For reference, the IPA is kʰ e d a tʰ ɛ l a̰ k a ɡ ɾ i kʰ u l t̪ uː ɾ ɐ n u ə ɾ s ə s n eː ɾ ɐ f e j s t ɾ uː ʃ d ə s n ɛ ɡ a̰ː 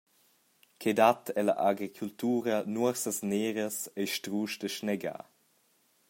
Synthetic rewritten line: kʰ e d a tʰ ɛ l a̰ ʔ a ɡ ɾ i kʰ u l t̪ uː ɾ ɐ n u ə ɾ s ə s n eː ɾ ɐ s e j ʃ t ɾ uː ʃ d ə ʃ n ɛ ɡ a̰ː